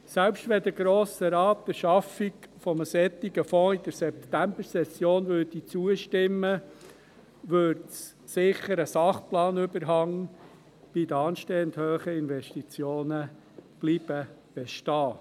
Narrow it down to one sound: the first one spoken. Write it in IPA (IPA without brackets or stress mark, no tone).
s